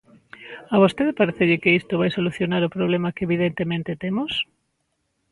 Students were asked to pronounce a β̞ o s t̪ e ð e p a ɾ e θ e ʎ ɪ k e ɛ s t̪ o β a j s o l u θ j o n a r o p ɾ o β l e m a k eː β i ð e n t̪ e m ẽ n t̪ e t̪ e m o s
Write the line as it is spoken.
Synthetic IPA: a β̞ o s t̪ e ð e p a ɾ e θ e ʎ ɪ k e i s t̪ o β a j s o l u θ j o n a ɾ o p ɾ o β l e m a k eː β i ð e n t̪ e m ẽ n t̪ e t̪ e m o s